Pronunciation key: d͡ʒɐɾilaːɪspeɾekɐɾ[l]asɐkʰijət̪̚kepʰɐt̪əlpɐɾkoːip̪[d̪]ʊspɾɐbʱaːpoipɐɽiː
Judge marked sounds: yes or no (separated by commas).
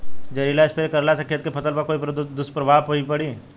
yes, yes